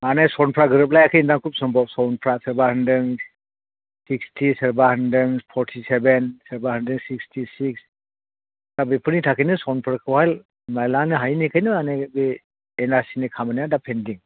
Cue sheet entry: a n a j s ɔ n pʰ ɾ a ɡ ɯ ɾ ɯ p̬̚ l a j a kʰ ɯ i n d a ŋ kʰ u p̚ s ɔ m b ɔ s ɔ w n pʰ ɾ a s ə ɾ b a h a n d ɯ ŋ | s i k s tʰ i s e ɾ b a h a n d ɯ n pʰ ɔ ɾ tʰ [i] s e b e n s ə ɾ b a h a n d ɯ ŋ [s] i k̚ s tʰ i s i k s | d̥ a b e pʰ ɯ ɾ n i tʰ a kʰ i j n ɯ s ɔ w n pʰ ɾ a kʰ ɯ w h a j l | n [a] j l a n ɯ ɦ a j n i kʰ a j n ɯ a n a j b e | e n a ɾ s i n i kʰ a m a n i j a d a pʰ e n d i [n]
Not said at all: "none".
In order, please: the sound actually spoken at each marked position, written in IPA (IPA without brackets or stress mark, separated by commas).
i, s, a, ŋ